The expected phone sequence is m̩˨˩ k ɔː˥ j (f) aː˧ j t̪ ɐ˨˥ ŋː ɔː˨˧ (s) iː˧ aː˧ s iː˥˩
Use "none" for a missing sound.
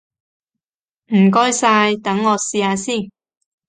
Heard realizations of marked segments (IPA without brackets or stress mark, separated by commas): s, s